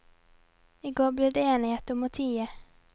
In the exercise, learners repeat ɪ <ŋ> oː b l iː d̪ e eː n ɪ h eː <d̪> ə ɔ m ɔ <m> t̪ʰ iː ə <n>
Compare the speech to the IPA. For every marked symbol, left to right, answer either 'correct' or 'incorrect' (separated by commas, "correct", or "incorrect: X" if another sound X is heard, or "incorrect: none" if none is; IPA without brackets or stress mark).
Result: incorrect: ɡ, incorrect: t̪, incorrect: none, incorrect: none